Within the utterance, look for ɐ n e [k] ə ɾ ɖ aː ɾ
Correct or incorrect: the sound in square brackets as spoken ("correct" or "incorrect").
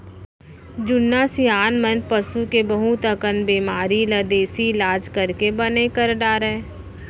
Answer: correct